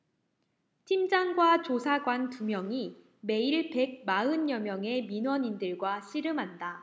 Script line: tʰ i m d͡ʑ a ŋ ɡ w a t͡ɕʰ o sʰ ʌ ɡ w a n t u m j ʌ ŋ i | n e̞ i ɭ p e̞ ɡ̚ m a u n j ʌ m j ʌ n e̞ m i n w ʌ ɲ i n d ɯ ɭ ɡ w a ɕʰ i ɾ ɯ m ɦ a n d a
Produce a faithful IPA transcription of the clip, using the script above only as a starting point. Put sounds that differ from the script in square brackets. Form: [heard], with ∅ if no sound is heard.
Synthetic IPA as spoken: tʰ i m d͡ʑ a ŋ ɡ w a [t͡ɕ] o sʰ [a] ɡ w a n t u m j ʌ ŋ i | [m] e̞ i ɭ p e̞ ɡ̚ m a [ɯ] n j ʌ m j ʌ [ŋ] e̞ m i n w ʌ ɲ i n d ɯ ɭ ɡ w a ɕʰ i ɾ ɯ m ɦ a n d a